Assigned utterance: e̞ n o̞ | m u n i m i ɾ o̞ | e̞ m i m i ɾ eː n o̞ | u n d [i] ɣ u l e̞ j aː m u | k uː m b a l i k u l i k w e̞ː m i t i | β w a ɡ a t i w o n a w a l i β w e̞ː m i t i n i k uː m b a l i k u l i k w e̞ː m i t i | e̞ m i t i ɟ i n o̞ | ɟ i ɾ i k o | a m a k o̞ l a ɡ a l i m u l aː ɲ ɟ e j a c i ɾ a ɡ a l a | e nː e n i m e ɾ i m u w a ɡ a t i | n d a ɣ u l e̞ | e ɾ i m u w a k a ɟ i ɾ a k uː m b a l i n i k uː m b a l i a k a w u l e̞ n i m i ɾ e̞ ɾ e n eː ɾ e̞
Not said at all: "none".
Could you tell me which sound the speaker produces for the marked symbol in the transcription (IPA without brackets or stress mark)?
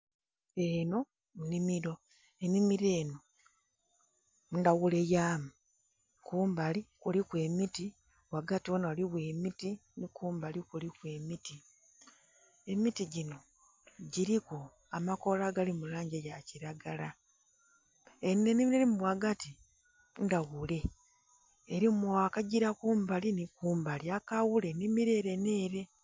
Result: a